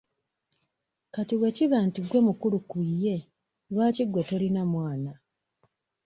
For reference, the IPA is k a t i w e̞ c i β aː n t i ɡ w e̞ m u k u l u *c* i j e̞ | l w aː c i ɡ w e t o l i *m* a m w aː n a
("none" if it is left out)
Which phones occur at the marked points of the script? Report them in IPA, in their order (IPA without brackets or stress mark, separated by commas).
k, n